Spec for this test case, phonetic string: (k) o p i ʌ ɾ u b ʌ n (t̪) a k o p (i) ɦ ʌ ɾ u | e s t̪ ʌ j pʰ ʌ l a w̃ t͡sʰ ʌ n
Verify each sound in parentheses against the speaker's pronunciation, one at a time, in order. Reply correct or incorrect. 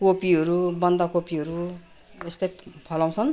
correct, incorrect: d̪, correct

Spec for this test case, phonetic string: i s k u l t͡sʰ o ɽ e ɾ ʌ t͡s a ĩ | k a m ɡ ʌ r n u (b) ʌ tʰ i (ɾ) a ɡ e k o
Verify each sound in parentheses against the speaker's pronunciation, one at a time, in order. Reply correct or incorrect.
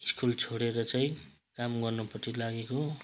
incorrect: p, incorrect: l

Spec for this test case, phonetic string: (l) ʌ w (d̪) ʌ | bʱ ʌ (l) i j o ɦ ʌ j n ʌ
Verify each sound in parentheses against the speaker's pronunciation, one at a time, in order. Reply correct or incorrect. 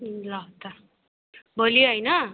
correct, incorrect: t̪, correct

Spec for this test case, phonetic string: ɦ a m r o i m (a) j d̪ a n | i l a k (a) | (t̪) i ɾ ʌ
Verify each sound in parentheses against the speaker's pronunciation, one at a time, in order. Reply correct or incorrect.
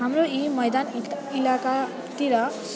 incorrect: ʌ, correct, correct

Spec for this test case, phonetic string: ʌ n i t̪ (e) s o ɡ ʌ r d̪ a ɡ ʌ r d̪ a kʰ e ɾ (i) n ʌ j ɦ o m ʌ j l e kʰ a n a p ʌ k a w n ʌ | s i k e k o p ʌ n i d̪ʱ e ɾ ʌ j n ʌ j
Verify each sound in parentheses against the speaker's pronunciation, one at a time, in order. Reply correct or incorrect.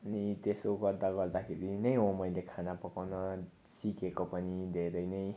correct, correct

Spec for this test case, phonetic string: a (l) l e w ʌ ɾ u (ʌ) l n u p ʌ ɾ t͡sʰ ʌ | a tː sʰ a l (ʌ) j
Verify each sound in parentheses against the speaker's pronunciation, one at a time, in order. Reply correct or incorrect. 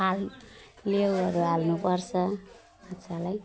correct, incorrect: a, incorrect: a

